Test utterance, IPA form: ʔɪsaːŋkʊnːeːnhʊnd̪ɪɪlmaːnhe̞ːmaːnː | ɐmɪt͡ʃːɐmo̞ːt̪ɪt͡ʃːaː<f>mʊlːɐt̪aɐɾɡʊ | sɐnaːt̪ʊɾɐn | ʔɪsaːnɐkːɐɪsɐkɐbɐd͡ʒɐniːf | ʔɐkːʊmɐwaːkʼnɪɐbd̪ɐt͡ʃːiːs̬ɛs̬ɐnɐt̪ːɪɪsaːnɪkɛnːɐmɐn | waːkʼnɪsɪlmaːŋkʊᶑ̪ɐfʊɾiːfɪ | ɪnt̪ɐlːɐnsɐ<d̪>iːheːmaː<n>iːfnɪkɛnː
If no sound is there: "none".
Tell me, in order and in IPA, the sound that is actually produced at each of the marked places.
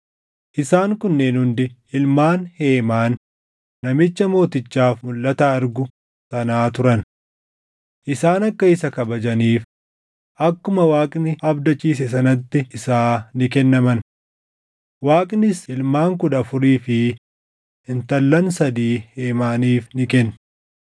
f, d̪, n

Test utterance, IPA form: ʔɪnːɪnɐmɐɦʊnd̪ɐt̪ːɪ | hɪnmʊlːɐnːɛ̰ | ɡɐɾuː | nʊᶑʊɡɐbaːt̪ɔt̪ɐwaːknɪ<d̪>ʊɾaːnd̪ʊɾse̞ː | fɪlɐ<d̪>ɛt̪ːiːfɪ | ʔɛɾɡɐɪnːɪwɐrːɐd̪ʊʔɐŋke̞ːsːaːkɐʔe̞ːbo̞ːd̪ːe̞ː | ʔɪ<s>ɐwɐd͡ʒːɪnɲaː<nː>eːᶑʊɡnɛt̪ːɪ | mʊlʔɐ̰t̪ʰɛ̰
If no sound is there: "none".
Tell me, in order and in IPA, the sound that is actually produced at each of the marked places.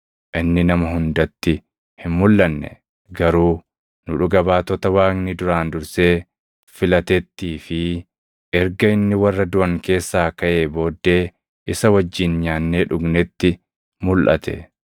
d̪, t̪, s, nː

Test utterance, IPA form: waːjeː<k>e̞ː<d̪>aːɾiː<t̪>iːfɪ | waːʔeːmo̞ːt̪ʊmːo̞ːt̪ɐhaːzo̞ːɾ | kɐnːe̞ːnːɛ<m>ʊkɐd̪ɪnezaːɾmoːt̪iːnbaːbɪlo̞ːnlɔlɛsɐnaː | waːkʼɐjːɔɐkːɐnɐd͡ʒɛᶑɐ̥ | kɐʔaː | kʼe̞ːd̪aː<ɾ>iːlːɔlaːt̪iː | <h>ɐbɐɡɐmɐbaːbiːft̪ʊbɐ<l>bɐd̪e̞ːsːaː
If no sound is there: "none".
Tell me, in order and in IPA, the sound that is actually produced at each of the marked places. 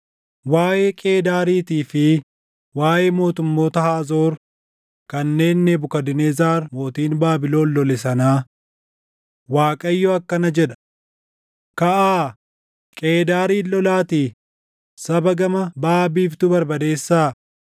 kʼ, d̪, t̪, b, ɾ, s, ɾ

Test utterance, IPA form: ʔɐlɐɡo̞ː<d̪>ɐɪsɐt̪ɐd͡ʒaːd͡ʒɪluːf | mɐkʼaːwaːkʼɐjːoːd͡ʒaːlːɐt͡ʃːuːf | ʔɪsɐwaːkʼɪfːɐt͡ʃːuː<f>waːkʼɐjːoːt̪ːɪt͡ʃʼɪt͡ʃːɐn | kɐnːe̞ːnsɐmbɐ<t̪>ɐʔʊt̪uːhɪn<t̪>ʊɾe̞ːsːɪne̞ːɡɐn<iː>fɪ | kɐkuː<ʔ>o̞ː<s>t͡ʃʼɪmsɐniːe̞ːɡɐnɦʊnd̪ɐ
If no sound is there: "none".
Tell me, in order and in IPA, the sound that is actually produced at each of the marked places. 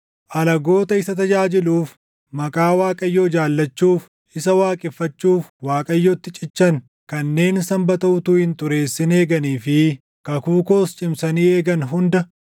t̪, f, t̪, t̪, iː, k, s

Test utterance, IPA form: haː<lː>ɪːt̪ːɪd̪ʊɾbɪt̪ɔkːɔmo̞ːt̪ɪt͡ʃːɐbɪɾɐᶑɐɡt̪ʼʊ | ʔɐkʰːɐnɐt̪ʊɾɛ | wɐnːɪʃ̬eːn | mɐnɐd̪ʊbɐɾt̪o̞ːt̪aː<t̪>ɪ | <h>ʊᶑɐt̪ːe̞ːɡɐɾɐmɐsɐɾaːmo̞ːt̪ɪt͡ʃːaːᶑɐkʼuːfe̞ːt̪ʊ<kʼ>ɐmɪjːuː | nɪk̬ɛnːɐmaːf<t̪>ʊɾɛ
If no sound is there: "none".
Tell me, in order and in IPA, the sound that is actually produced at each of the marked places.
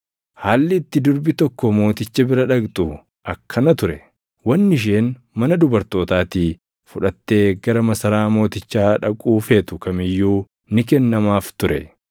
lː, t̪, f, k, t̪

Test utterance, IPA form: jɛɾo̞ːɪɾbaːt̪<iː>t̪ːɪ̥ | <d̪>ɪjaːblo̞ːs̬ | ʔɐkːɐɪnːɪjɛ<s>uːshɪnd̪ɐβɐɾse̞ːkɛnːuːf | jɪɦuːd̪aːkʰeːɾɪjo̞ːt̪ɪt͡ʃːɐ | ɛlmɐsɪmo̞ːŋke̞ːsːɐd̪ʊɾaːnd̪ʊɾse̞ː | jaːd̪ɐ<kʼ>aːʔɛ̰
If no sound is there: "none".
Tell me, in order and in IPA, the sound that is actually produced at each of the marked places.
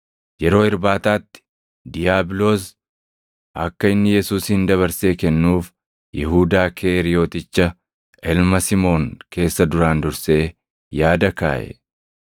aː, d̪, s, k

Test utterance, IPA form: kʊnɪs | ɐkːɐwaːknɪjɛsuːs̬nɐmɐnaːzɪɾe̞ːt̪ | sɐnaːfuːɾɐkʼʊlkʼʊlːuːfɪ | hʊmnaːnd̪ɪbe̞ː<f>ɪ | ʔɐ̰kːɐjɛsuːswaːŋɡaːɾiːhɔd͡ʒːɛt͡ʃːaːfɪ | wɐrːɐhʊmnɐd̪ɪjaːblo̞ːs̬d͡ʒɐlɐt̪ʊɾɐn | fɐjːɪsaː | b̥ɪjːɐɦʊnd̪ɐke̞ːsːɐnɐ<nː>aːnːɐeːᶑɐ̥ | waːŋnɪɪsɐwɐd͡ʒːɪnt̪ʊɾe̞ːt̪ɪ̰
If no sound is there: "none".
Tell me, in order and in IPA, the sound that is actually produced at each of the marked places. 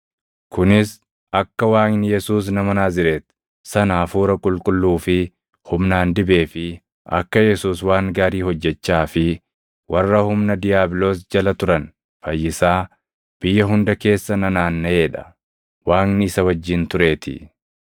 f, n

